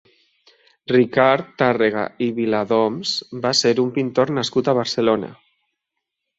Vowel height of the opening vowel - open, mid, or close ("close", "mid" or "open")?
close